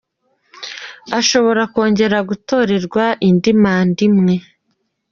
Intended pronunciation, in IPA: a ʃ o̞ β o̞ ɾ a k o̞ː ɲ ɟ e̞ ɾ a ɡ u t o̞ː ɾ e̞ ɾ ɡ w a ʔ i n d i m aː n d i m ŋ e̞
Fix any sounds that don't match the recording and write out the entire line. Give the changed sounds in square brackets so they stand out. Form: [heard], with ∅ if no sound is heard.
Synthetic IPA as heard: a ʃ o̞ β o̞ ɾ a k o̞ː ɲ ɟ e̞ ɾ a ɡ u t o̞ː ɾ e̞ ɾ ɡ w a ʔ i n d i m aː n d i m ŋ e̞